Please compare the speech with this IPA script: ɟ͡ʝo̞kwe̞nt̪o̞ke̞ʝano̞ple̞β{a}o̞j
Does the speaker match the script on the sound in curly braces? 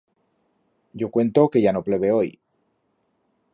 no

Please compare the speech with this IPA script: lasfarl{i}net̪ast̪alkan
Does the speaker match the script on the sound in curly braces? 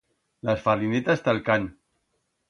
yes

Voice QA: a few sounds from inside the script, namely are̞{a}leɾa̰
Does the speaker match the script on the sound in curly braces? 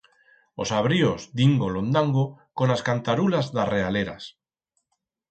yes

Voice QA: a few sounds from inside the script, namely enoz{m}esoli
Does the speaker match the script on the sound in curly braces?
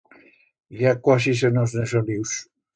no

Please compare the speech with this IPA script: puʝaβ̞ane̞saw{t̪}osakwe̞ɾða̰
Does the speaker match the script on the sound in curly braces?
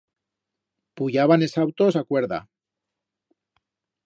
yes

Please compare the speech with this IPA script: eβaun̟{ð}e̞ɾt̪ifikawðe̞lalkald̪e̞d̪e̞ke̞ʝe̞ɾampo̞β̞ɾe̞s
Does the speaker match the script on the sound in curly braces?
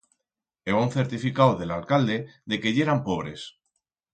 no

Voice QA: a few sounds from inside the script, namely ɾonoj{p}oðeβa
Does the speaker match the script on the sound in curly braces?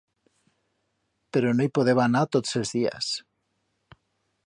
yes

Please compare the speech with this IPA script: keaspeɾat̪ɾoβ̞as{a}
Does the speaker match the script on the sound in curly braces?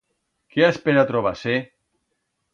no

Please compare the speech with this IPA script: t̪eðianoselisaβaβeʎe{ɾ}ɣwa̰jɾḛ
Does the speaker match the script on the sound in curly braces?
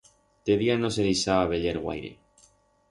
yes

